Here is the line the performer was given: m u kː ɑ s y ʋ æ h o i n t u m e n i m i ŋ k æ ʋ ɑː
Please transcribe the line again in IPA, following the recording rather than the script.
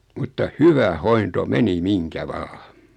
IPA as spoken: m u tː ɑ h y ʋ æ h o i n t o m e n i m i ŋ k æ ʋ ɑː